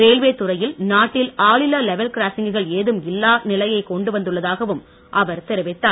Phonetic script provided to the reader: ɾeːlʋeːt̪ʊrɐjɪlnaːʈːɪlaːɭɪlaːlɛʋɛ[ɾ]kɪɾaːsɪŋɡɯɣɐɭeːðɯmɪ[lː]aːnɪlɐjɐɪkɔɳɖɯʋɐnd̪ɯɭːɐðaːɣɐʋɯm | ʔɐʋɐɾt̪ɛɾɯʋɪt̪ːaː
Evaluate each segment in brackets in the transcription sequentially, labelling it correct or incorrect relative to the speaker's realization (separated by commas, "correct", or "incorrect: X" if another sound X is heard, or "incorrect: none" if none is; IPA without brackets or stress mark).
incorrect: l, correct